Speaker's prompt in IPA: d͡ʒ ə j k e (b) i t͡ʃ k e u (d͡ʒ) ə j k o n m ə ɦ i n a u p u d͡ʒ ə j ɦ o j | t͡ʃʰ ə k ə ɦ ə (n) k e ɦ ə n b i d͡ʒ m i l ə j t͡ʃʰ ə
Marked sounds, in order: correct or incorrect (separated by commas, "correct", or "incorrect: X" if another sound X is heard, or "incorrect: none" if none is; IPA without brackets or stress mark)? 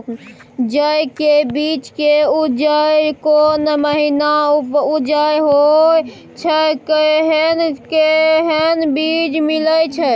correct, correct, correct